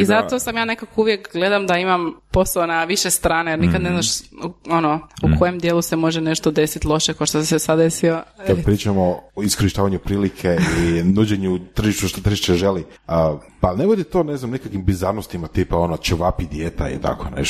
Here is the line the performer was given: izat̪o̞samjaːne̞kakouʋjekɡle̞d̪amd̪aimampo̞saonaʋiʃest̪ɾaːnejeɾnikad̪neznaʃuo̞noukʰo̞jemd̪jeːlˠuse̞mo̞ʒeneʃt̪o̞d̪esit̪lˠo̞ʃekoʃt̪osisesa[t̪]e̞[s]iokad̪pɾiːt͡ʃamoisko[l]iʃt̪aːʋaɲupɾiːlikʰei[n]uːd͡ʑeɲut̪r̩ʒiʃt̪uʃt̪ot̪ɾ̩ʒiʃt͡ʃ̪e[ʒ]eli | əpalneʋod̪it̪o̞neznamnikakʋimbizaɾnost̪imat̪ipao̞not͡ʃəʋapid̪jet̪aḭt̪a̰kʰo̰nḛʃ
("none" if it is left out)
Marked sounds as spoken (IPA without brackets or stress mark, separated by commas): d̪, s, ɾ, n, ʒ